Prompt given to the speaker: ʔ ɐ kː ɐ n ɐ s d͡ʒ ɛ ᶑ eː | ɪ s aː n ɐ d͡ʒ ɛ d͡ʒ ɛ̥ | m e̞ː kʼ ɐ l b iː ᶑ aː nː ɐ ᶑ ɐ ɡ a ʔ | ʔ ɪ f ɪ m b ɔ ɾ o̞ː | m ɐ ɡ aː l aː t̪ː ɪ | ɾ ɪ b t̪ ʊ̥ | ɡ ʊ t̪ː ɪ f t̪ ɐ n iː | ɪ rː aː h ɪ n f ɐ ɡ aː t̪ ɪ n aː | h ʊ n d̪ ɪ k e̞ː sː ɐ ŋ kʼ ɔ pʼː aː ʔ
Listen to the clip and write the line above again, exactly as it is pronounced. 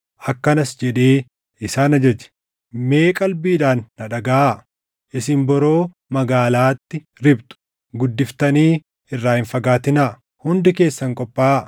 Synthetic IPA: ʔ ɐ kː ɐ n ɐ s d͡ʒ ɛ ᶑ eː | ɪ s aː n ɐ d͡ʒ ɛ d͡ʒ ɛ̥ | m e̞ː kʼ ɐ l b iː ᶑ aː nː ɐ ᶑ ɐ ɡ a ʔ | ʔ ɪ s ɪ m b ɔ ɾ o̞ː | m ɐ ɡ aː l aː t̪ː ɪ | ɾ ɪ b t̪ ʊ̥ | ɡ ʊ d̪ː ɪ f t̪ ɐ n iː | ɪ rː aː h ɪ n f ɐ ɡ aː t̪ ɪ n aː | h ʊ n d̪ ɪ k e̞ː sː ɐ ŋ kʼ ɔ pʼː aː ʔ